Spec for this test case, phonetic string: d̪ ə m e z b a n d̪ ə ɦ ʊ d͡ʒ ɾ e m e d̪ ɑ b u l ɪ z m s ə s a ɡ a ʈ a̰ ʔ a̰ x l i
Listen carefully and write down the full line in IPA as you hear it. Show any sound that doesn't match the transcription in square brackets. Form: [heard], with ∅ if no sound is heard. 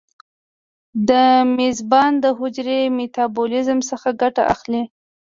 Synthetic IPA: d̪ ə m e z b [ɑ] n d̪ ə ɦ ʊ d͡ʒ ɾ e m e [t̪] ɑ b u l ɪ z m s ə [x] a ɡ a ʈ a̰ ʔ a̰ x l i